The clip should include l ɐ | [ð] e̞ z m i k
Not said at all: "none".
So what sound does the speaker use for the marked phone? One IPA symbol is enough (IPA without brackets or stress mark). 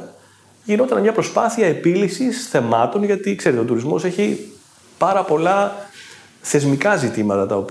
θ